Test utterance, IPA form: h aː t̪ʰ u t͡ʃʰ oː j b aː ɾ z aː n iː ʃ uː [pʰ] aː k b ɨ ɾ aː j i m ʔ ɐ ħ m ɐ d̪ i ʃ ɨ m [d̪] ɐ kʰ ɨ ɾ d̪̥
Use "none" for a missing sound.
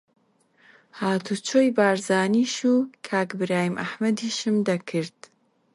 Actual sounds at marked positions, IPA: kʰ, d̪

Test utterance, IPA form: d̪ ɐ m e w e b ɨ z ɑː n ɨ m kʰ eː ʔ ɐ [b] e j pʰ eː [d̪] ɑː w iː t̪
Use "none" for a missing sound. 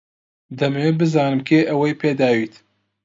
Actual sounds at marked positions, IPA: w, d̪

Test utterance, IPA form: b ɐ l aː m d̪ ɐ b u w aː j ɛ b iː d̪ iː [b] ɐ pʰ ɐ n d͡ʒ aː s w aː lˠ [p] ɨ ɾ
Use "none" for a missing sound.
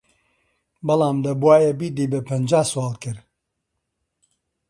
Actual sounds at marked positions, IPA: b, k

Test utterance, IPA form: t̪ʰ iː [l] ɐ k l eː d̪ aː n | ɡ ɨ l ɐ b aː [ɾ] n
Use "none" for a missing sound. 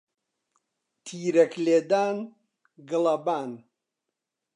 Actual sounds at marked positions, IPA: ɾ, none

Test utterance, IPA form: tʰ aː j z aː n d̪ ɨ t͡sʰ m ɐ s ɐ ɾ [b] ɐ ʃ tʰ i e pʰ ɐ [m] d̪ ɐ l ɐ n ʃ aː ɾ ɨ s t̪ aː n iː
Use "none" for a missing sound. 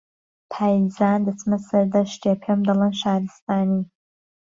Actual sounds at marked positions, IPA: d, m

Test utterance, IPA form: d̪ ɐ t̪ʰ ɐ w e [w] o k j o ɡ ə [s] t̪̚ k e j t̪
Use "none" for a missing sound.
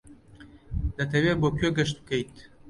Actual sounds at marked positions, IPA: b, ʃ

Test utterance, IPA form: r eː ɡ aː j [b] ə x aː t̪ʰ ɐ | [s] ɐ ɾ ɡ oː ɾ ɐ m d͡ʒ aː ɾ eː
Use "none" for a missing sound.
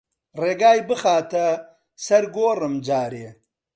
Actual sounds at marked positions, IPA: b, s

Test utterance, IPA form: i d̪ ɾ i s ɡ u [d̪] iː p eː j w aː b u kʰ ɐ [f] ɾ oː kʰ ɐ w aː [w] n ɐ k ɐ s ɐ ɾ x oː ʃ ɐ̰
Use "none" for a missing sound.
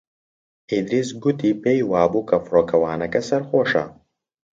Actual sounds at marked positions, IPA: t̪, f, none

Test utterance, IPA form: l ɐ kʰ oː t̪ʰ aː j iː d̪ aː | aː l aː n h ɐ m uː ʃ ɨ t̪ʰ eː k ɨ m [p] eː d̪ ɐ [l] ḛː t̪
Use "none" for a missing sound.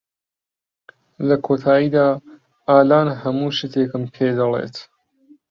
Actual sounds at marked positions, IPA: pʰ, l

